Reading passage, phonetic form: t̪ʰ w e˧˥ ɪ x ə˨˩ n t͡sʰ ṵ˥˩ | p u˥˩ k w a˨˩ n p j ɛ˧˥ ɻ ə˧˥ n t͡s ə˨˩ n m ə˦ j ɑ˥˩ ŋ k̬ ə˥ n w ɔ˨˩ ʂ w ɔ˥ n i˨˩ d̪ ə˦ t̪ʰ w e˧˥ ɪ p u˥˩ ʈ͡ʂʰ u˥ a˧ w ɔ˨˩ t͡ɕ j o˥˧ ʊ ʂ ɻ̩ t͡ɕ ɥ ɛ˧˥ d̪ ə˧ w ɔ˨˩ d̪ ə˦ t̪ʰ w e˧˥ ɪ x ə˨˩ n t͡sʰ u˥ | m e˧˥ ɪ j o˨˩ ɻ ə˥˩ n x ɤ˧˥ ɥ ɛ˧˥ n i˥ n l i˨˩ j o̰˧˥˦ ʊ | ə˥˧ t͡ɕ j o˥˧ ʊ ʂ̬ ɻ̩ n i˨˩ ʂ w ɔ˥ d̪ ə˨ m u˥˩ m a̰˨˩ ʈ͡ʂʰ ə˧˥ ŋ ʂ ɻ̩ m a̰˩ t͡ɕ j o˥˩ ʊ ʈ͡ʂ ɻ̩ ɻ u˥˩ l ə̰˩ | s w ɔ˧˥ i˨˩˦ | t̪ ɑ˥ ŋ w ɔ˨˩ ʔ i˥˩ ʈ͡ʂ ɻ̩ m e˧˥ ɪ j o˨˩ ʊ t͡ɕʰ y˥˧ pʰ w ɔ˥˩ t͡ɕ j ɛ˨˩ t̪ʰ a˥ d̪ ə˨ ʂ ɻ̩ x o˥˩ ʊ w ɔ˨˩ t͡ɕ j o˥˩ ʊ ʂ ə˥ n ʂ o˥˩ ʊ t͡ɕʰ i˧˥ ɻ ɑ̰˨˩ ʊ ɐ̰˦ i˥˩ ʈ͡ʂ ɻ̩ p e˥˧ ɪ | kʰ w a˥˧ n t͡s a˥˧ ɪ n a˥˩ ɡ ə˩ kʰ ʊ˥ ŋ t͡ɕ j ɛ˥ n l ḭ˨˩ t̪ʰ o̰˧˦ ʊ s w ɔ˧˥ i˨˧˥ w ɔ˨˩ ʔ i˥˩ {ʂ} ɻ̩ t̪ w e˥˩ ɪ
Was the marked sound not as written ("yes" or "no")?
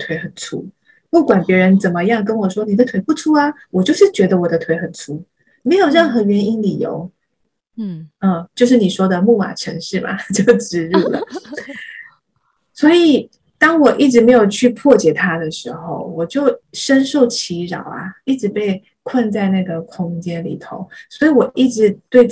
yes